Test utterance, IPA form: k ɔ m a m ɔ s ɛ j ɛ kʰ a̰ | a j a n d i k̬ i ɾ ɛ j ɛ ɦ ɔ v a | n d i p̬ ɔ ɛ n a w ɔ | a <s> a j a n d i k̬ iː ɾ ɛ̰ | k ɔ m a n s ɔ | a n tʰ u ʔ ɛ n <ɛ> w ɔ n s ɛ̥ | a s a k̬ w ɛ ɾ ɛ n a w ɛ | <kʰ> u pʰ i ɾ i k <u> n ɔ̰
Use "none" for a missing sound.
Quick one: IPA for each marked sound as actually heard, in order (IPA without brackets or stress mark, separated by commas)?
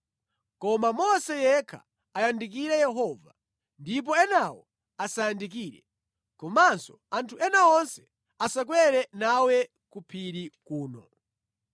s, a, k, uː